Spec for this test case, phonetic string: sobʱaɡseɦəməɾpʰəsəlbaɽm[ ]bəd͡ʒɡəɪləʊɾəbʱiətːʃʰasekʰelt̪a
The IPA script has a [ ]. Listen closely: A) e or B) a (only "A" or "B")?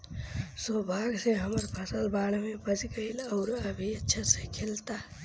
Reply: A